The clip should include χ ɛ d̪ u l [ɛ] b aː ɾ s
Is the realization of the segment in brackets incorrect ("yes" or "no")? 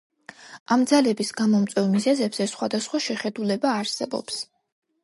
no